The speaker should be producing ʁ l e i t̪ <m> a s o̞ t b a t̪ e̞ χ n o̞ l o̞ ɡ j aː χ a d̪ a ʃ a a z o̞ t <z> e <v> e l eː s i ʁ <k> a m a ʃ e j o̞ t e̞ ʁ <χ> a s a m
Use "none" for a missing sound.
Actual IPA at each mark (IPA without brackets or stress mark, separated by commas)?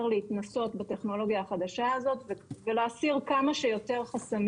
n, v, v, k, χ